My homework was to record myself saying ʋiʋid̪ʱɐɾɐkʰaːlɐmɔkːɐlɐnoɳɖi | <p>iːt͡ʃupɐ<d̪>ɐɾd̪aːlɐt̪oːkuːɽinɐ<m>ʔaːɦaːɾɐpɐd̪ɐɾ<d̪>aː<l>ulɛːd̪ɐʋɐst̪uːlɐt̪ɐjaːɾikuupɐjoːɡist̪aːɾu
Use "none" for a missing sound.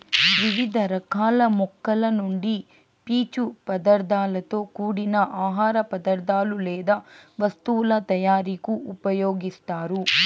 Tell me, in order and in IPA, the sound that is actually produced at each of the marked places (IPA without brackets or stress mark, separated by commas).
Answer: p, d̪, none, d̪, l